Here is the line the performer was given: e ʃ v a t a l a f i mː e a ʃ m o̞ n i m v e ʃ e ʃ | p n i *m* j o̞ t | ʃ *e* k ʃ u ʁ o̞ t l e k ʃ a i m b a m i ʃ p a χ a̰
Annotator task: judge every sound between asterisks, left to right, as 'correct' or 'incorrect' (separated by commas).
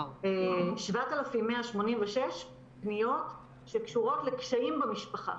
incorrect, correct